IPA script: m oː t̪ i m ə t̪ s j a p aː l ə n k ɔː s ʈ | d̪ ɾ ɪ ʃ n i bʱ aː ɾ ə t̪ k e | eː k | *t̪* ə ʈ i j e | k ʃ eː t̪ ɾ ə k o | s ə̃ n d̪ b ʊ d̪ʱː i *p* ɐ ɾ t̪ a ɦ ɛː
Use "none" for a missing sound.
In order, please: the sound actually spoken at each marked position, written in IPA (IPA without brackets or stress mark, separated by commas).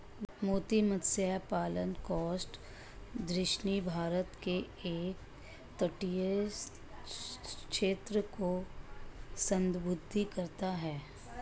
t̪, k